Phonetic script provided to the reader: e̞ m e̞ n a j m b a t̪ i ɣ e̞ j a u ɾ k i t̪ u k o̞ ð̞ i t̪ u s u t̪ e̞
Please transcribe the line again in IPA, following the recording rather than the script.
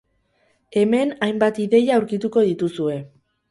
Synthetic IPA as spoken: e̞ m e̞ n a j m b a t̪ i ð e̞ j a u ɾ k i t̪ u k o̞ ð̞ i t̪ u s u e̞